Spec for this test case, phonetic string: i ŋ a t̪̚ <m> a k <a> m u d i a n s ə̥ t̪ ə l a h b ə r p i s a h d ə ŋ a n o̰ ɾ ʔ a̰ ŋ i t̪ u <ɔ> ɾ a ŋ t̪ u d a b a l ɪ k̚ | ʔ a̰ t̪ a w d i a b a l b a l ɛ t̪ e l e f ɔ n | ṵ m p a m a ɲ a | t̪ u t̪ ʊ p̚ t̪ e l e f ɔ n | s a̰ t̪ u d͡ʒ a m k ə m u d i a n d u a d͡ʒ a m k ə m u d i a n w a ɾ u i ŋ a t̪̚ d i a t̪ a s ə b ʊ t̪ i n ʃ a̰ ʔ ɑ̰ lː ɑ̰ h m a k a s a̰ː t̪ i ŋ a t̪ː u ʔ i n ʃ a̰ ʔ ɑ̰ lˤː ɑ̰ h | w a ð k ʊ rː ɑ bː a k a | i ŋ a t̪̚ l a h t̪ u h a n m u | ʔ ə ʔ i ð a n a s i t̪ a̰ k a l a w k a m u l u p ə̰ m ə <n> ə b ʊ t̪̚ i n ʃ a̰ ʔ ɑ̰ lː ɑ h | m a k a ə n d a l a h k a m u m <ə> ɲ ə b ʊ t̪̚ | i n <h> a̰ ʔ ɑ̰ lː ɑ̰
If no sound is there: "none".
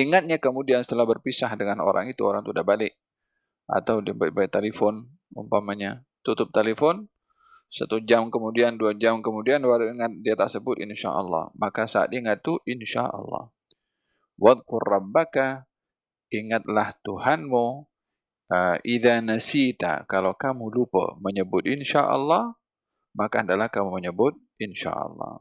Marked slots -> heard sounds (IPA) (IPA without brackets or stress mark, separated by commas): ɲ, ə, o, ɲ, ə, ʃ